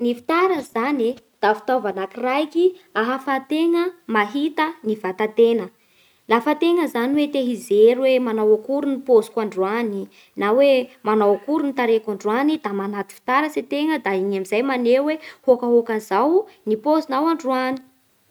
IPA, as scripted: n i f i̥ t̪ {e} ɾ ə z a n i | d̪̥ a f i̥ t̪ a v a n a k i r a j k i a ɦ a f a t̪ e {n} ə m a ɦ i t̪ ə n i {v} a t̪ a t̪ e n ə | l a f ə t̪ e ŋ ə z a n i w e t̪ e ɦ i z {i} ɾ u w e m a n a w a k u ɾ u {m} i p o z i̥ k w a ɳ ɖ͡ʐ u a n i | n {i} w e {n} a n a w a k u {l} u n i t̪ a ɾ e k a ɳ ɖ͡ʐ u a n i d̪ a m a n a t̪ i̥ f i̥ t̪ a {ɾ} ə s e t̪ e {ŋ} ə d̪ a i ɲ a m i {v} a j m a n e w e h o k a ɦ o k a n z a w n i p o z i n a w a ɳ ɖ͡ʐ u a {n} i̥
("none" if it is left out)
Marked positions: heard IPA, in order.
a, ŋ, v, e, n, a, m, ɾ, ɾ, ŋ, z, n

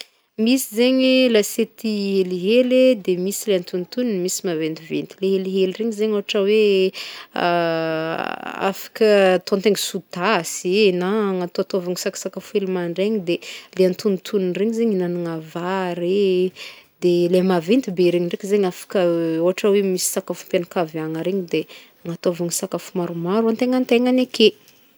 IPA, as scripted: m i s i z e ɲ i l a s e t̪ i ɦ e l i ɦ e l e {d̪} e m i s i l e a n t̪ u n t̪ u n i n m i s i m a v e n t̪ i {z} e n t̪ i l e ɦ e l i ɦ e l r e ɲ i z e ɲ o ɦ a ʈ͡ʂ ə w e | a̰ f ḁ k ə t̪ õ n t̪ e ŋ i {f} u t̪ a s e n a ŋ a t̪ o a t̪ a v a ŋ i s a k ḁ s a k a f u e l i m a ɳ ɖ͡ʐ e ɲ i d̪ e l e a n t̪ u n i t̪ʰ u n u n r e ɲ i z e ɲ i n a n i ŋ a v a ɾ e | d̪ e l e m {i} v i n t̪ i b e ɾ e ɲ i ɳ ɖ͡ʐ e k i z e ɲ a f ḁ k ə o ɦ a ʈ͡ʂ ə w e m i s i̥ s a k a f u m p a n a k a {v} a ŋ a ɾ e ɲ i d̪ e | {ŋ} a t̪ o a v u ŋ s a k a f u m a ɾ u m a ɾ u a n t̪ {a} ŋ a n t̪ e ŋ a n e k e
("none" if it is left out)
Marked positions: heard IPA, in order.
d̪, v, s, a, v, ŋ, e

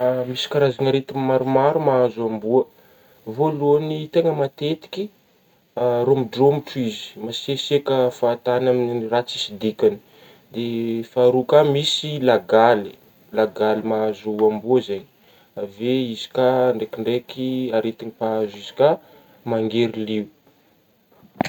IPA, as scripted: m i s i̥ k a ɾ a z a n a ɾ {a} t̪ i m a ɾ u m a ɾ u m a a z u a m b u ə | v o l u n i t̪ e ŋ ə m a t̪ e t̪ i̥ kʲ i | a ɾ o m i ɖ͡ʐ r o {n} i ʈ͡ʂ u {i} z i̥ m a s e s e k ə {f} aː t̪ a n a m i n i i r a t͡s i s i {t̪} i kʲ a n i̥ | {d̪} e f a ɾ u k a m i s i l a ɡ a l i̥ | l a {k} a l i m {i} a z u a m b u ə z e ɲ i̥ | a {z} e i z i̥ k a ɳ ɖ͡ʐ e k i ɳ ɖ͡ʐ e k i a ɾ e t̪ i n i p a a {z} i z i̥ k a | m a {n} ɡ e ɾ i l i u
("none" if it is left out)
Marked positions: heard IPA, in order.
e, m, i, f, d̪, d̪, ɡ, a, v, z, ŋ

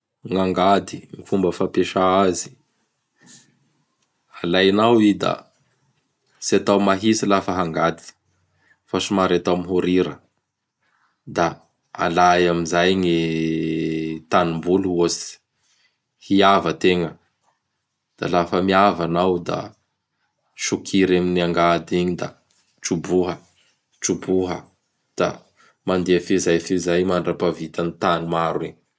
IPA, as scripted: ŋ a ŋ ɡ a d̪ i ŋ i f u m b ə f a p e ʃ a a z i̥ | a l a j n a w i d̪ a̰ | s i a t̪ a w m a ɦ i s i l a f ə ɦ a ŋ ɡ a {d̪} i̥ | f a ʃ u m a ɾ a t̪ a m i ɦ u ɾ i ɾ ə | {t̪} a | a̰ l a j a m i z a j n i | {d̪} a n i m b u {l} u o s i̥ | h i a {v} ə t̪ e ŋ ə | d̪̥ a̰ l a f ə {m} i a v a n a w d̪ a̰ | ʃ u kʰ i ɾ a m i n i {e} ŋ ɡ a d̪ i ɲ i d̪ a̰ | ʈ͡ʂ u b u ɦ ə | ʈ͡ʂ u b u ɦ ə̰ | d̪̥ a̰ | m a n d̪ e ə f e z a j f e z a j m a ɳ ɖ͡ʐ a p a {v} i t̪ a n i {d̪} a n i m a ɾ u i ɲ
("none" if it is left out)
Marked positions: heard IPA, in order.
d̪, d̪, t̪, l, v, m, a, v, t̪

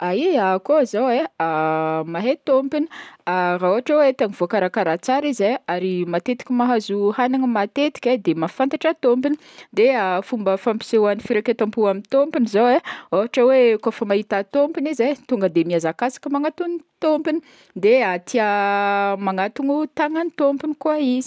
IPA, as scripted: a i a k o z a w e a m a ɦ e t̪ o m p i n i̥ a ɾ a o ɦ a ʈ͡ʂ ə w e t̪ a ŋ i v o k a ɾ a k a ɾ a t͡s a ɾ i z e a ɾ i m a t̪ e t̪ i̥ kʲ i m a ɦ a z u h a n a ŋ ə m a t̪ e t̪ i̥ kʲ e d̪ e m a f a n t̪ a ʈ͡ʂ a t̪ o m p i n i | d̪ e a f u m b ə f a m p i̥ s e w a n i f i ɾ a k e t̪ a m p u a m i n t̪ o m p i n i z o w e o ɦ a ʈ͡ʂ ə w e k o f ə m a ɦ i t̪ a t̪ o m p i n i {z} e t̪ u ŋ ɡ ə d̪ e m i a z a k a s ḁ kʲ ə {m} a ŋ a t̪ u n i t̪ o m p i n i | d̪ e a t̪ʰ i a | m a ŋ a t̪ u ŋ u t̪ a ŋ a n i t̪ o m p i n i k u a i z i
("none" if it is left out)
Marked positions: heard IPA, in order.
z, m

